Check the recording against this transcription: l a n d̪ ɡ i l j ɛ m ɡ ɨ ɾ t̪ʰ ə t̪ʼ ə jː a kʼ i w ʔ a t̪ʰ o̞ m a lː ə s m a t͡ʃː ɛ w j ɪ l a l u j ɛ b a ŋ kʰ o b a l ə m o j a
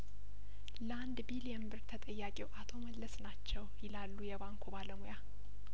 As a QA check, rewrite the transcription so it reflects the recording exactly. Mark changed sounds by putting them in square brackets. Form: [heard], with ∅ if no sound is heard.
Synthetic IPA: l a n d̪ [b] i l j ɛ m [b] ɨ ɾ t̪ʰ ə t̪ʼ ə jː a kʼ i w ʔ a t̪ʰ o̞ m [ə] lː ə s [n] a t͡ʃː ɛ w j ɪ l a [lː] u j ɛ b a ŋ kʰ o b a l ə m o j a